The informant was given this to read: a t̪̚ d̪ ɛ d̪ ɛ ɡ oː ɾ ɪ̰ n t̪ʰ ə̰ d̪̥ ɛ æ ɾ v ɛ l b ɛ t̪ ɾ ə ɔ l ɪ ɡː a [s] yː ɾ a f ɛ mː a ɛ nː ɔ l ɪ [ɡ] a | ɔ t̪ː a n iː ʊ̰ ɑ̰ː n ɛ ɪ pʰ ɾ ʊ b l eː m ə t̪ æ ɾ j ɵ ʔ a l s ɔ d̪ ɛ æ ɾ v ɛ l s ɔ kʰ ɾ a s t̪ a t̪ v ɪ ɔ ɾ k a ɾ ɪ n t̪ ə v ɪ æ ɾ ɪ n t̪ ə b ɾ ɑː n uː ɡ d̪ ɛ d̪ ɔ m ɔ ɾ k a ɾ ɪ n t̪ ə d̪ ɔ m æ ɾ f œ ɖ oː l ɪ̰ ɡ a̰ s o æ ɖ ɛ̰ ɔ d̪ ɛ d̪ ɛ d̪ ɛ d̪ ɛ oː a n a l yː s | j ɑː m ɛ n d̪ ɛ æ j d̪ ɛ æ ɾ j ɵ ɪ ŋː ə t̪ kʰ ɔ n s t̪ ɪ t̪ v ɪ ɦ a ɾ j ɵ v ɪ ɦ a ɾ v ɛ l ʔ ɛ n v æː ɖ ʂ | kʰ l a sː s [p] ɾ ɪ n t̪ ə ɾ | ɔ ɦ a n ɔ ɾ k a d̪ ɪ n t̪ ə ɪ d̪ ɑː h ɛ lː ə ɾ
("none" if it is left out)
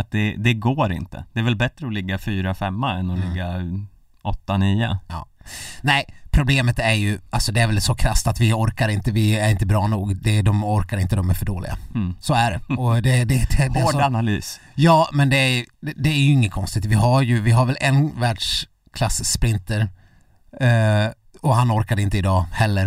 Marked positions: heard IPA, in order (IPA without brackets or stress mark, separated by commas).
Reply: f, ɡː, p